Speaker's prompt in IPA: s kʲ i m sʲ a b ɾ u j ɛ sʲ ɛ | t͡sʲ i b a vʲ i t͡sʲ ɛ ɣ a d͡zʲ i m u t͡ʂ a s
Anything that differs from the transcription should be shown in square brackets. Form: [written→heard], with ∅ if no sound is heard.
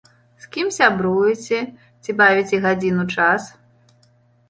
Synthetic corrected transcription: s kʲ i m sʲ a b ɾ u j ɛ [sʲ→t͡sʲ] ɛ | t͡sʲ i b a vʲ i t͡sʲ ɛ ɣ a d͡zʲ i [m→n] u t͡ʂ a s